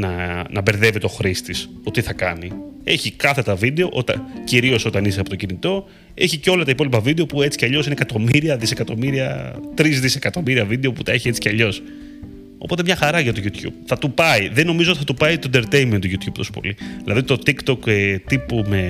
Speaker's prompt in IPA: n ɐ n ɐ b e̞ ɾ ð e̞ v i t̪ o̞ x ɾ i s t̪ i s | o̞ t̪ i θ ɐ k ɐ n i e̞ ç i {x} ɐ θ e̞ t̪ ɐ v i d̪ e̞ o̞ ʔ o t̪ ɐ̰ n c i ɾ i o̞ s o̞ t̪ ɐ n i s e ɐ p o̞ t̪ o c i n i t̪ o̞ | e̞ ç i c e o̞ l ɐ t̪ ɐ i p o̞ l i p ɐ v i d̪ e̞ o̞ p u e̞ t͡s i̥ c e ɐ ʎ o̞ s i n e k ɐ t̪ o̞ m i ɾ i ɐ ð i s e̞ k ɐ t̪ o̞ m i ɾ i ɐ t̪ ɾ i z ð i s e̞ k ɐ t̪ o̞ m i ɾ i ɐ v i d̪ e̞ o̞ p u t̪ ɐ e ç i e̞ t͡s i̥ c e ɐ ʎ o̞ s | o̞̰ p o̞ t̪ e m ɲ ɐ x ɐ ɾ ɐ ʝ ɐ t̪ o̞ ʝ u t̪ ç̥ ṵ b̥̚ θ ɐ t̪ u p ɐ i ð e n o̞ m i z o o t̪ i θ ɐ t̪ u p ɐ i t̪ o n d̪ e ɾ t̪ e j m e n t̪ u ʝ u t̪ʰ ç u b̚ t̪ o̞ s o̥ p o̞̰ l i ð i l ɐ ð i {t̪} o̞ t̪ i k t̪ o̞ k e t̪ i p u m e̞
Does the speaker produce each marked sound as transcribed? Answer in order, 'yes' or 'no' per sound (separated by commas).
no, yes